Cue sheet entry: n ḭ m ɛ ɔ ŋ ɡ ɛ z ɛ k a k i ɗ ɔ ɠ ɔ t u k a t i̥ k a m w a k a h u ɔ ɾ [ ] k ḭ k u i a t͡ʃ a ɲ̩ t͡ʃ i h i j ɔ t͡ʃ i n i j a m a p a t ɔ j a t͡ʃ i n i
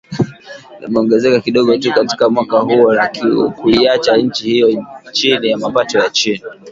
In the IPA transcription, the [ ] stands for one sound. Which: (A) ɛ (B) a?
B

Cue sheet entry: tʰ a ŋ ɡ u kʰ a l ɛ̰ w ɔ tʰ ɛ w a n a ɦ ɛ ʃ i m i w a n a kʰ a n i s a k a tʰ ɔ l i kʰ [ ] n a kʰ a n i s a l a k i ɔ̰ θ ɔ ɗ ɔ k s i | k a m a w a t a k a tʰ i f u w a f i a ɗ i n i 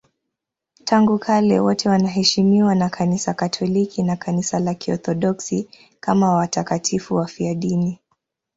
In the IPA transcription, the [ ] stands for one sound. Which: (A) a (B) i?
B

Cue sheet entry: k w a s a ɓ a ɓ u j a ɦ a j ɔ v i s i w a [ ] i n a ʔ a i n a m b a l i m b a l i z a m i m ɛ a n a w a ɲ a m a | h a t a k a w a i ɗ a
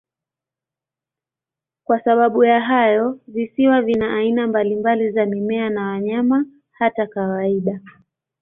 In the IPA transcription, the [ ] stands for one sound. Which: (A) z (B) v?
B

